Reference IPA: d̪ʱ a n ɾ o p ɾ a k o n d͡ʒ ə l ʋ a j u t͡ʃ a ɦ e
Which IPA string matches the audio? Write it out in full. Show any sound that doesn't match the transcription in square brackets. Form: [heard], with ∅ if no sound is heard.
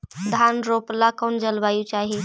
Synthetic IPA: d̪ʱ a n ɾ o p [l] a k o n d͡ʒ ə l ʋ a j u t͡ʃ a ɦ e